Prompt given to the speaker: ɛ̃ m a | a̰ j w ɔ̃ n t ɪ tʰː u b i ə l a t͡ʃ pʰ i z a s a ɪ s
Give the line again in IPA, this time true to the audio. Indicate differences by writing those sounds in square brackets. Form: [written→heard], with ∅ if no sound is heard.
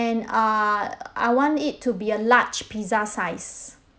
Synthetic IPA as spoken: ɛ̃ [m→n] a | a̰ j w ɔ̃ n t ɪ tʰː u b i ə l a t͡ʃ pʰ i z a s a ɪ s